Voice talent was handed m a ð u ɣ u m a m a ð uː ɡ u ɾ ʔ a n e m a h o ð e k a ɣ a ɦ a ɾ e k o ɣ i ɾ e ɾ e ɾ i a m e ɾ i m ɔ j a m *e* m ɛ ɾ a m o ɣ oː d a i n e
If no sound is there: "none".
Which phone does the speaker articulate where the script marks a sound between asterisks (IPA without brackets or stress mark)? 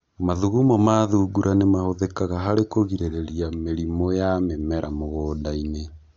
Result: e